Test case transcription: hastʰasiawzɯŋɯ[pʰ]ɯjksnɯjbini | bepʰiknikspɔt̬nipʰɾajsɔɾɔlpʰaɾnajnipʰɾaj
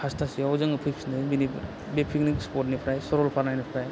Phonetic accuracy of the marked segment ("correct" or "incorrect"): correct